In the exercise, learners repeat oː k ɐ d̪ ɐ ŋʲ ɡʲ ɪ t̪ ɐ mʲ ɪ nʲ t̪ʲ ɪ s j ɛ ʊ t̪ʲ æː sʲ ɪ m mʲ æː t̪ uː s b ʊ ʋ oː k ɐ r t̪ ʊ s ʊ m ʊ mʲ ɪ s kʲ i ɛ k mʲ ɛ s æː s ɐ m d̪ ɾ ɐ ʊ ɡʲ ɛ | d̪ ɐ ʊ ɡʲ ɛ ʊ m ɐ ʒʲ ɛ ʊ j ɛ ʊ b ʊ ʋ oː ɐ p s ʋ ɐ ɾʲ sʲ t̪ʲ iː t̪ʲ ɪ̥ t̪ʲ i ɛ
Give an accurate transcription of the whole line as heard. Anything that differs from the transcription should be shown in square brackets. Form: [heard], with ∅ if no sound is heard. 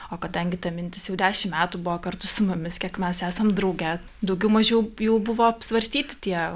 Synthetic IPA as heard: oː k ɐ d̪ ɐ ŋʲ ɡʲ ɪ t̪ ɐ mʲ ɪ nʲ t̪ʲ ɪ s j ɛ ʊ [d̪ʲ] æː [ʃʲ] ɪ m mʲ æː t̪ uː [∅] b ʊ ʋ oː k ɐ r t̪ ʊ s ʊ m ʊ mʲ ɪ s kʲ i ɛ k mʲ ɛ s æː s ɐ m d̪ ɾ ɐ ʊ ɡʲ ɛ | d̪ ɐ ʊ ɡʲ ɛ ʊ m ɐ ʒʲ ɛ ʊ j ɛ ʊ b ʊ ʋ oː ɐ p s ʋ ɐ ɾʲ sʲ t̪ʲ iː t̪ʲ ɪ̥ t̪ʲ i ɛ